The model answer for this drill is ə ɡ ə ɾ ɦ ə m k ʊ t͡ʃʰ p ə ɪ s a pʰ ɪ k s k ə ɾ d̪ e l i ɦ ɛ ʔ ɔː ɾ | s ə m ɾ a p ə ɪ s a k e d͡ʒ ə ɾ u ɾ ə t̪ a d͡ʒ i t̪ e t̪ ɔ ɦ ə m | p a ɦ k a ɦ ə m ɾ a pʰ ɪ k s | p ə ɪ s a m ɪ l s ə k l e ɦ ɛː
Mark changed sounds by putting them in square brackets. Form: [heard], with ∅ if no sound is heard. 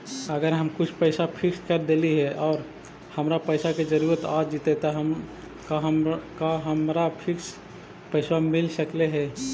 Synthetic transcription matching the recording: ə ɡ ə ɾ ɦ ə m k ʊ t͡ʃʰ p ə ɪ s a pʰ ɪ k s k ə ɾ d̪ e l i ɦ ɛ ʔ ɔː ɾ | [h] ə m ɾ a p ə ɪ s a k e d͡ʒ ə ɾ u ɾ ə t̪ a d͡ʒ i t̪ e t̪ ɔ ɦ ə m | [k] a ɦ k a ɦ ə m ɾ a pʰ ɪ k s | p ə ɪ s a m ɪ l s ə k l e ɦ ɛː